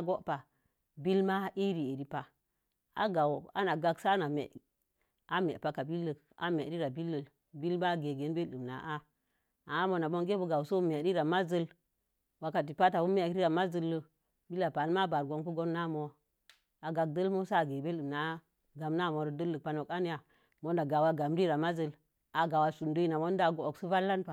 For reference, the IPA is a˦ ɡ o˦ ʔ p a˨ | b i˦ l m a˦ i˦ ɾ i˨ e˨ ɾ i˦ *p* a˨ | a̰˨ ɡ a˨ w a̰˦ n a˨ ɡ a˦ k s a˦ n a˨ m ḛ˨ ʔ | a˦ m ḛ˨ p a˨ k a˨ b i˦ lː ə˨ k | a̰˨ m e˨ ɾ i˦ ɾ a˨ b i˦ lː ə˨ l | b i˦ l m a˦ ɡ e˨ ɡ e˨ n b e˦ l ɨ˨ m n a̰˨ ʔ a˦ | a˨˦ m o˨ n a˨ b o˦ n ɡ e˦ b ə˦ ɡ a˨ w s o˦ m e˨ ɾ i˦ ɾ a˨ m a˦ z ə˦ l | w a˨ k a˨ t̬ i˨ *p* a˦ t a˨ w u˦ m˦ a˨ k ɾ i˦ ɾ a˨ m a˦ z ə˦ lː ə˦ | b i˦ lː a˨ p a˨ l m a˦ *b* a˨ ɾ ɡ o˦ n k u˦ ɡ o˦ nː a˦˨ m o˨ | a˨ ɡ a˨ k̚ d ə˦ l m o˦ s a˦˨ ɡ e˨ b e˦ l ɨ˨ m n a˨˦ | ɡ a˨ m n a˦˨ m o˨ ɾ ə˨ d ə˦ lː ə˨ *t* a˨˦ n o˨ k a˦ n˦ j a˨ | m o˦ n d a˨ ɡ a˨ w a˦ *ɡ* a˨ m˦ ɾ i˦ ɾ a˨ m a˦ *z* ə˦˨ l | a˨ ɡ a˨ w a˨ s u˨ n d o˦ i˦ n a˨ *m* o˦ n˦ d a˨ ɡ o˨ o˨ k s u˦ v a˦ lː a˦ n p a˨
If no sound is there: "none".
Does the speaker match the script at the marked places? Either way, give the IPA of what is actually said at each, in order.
p, p, b, p, ɡ, z, m

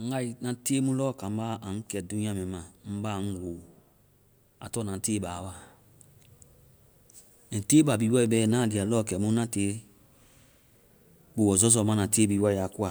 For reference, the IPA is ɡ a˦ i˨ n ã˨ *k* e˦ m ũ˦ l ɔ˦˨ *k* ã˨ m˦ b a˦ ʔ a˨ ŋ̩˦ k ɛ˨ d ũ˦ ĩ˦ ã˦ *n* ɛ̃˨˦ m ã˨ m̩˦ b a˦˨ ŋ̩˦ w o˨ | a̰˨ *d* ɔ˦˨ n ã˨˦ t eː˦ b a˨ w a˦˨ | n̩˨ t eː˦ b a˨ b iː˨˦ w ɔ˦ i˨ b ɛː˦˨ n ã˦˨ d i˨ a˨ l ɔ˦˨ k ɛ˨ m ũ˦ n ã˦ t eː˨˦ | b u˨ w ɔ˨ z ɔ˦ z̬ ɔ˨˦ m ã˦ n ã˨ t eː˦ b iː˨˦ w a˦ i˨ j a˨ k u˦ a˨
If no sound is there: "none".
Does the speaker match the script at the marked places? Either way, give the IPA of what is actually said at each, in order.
t, k, m, t

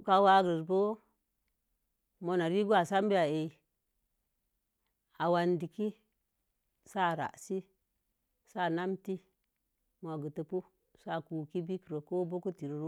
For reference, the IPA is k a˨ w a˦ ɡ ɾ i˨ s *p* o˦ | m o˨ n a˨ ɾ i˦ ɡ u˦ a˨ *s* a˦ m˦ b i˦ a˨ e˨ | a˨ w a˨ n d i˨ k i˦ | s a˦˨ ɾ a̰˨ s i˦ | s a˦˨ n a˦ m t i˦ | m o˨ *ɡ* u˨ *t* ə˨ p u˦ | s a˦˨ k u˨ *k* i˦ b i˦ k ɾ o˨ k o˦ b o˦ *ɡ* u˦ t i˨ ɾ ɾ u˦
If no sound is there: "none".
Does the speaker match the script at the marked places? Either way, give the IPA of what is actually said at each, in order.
b, s, ɡ, t, k, k

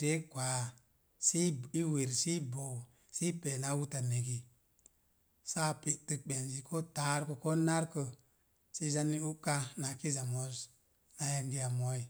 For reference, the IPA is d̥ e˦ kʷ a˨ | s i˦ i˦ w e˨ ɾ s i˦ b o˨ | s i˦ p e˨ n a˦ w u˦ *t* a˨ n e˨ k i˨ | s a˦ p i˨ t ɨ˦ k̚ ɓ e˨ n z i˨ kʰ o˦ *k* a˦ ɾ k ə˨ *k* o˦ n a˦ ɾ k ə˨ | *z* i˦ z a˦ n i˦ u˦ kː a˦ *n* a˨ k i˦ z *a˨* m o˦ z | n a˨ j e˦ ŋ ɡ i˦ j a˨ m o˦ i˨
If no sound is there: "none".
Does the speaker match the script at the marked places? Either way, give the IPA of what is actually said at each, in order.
t, t, k, s, n, a˨

